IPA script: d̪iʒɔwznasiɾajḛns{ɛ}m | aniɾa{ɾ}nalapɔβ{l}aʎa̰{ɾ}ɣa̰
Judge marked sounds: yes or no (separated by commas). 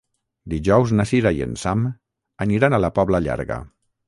no, no, yes, yes